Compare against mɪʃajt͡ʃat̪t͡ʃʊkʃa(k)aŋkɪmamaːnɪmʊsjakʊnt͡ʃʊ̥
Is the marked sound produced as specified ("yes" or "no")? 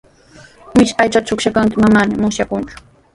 yes